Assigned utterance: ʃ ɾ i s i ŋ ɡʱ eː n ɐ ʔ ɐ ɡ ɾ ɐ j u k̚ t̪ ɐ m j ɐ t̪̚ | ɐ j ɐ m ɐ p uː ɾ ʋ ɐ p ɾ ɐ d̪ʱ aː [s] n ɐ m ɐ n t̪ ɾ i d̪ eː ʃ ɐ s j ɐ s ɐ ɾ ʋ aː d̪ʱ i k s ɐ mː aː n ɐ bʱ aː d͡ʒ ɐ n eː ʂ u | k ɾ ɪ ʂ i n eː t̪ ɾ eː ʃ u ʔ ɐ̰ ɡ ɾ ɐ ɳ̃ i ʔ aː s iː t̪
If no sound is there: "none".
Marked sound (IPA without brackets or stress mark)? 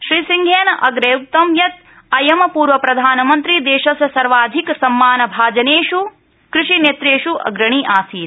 none